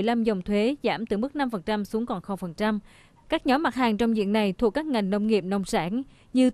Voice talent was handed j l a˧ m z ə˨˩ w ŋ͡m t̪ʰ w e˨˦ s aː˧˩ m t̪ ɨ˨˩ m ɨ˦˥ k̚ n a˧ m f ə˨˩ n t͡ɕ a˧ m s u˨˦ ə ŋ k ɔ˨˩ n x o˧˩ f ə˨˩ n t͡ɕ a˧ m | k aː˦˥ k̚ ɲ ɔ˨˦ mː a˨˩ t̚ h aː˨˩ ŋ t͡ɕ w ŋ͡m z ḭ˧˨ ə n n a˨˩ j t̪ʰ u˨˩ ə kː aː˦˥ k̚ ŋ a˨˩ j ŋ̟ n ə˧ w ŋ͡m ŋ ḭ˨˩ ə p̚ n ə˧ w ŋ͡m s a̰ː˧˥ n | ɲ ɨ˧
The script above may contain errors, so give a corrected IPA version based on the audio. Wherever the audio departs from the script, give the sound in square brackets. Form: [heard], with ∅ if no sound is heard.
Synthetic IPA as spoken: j l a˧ m z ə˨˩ w ŋ͡m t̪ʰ w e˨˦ [z] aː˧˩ m t̪ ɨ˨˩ m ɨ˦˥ k̚ n a˧ m f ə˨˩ n t͡ɕ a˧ m s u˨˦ ə ŋ k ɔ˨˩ n x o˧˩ f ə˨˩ n t͡ɕ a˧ m | k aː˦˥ k̚ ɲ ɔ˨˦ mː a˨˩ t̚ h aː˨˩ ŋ t͡ɕ w ŋ͡m z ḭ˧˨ ə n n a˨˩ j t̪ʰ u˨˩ ə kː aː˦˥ k̚ ŋ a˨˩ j ŋ̟ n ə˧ w ŋ͡m ŋ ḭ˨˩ ə p̚ n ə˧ w ŋ͡m s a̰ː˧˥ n | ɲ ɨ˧